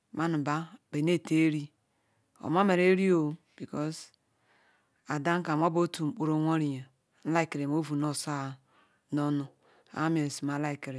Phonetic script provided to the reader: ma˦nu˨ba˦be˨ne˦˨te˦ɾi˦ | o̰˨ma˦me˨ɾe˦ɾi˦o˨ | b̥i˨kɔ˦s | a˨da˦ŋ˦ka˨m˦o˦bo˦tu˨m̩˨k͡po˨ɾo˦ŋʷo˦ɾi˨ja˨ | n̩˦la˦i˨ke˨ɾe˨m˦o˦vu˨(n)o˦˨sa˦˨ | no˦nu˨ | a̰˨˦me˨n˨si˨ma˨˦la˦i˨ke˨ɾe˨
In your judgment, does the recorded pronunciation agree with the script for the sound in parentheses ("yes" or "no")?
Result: yes